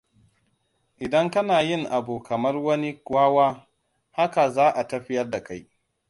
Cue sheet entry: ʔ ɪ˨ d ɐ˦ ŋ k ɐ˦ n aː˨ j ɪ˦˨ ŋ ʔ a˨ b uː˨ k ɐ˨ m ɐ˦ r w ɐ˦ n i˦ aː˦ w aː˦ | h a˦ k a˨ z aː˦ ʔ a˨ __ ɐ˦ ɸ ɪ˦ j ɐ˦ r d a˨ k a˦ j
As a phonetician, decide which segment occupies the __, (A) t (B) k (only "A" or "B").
A